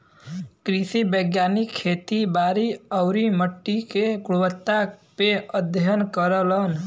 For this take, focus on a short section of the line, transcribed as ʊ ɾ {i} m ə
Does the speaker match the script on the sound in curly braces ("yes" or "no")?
yes